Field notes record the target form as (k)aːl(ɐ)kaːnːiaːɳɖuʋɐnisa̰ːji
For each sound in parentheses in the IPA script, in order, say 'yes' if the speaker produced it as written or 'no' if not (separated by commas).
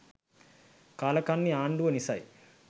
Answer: yes, yes